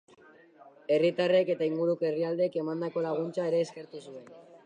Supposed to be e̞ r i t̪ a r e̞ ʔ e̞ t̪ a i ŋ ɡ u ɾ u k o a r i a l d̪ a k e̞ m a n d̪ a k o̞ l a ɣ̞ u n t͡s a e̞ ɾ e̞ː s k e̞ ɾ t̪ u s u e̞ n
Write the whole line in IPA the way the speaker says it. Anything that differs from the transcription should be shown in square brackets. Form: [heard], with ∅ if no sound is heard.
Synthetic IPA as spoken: e̞ r i t̪ a r e̞ [k] e̞ t̪ a i ŋ ɡ u ɾ u k o [e] r i a l d̪ [e] k e̞ m a n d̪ a k o̞ l a ɣ̞ u n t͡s a e̞ ɾ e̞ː s k e̞ ɾ t̪ u s u e̞ n